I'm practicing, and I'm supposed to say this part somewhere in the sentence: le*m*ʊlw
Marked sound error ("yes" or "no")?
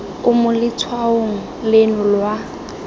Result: yes